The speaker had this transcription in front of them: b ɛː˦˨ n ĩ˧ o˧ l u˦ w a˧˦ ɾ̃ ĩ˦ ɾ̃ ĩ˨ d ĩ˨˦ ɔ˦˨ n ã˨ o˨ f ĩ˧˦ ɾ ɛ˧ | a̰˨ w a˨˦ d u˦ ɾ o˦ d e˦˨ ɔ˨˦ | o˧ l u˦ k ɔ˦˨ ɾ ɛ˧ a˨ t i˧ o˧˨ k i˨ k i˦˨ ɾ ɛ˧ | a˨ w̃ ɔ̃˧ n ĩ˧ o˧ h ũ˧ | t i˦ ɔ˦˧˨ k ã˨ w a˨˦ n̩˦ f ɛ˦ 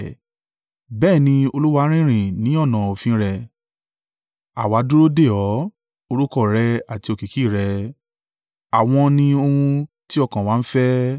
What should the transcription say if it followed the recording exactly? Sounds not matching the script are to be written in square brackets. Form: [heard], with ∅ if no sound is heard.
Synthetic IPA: b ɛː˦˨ n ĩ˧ o˧ l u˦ w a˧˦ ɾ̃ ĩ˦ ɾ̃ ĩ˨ [n] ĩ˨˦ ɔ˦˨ n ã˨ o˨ f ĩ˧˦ ɾ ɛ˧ | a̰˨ w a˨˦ d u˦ ɾ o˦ d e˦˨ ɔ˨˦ | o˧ [ɾ] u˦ k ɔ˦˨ ɾ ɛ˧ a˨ t i˧ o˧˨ k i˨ k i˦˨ ɾ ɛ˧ | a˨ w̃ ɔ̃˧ n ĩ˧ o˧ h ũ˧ | t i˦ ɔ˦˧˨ k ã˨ w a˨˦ n̩˦ f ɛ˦

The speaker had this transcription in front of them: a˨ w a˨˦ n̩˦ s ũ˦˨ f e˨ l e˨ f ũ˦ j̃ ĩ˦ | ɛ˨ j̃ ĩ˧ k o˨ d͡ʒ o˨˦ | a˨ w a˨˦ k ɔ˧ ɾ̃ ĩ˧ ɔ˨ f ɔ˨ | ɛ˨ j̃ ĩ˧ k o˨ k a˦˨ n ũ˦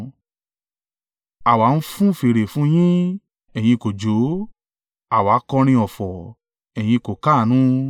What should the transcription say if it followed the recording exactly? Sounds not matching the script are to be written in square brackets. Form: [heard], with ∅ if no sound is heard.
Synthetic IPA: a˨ w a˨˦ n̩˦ [f] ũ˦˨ f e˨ [ɾ] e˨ f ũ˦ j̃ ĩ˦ | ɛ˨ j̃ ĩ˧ k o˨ d͡ʒ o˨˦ | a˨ w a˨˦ k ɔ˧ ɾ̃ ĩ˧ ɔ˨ f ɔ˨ | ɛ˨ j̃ ĩ˧ k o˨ k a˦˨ n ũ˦

